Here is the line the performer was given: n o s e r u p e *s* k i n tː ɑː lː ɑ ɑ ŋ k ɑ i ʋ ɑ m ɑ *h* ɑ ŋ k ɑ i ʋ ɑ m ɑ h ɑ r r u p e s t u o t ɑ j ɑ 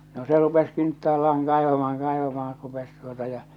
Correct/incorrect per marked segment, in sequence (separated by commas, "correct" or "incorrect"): correct, correct